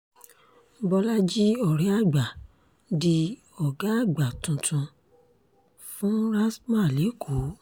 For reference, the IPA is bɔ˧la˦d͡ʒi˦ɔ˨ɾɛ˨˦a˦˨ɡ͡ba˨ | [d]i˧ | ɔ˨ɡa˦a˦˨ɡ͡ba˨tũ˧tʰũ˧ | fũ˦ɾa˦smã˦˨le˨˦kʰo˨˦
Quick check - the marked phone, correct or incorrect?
correct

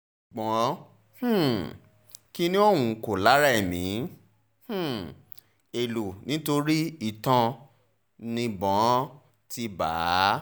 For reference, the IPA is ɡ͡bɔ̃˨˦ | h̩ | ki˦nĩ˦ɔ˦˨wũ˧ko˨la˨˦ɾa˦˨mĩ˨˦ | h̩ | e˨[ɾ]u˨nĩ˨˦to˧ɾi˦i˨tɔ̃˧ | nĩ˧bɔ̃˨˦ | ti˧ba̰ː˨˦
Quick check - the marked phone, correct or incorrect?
incorrect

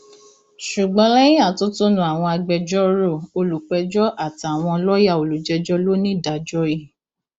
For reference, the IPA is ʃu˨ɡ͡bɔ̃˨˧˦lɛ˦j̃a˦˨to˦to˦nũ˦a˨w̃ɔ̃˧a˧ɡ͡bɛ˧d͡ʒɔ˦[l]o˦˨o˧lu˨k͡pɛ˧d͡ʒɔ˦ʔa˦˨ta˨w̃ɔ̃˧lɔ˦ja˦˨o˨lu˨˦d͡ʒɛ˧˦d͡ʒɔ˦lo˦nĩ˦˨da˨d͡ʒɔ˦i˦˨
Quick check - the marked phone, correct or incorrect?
incorrect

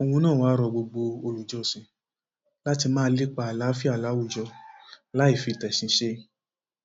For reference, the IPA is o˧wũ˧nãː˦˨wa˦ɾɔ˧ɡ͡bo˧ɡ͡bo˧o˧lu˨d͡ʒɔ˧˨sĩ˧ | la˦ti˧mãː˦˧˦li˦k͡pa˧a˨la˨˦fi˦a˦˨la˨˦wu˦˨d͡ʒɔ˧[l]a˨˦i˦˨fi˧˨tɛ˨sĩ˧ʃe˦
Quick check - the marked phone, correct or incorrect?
correct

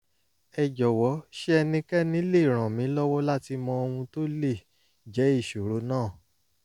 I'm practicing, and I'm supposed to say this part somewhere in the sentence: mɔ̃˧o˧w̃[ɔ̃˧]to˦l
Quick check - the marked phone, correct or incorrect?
incorrect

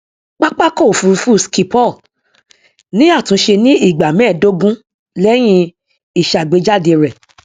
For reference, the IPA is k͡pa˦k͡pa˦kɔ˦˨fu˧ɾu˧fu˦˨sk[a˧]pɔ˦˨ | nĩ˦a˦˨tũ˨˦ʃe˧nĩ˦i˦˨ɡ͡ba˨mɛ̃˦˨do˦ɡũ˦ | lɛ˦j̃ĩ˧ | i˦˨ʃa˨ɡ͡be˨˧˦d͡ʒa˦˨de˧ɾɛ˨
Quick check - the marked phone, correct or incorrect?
incorrect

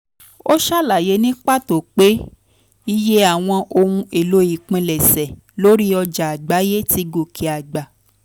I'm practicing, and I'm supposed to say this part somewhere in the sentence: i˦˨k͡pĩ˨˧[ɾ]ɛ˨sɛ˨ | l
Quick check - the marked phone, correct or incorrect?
incorrect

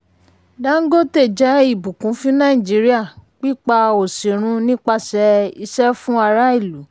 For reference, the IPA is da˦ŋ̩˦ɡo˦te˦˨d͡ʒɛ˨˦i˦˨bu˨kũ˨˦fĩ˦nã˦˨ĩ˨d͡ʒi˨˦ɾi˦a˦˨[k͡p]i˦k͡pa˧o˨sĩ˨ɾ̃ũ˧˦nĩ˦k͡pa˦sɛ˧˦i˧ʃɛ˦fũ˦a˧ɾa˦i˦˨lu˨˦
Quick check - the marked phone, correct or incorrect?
correct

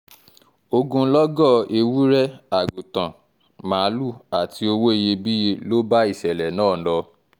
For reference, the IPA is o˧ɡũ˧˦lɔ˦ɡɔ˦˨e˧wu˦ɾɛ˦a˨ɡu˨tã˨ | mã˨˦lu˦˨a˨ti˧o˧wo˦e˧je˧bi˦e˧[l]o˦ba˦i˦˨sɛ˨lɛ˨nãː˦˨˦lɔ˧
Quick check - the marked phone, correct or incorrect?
correct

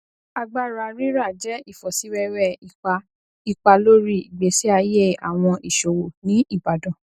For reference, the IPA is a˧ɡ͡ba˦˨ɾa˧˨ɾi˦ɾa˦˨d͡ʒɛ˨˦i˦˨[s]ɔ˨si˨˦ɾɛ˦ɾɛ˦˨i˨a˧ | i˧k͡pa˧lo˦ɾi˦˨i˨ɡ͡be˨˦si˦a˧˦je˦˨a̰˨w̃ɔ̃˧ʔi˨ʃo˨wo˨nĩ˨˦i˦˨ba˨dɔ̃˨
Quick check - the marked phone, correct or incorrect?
incorrect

